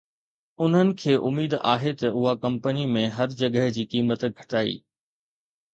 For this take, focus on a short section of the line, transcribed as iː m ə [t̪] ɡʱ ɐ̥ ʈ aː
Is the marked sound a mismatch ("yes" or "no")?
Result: no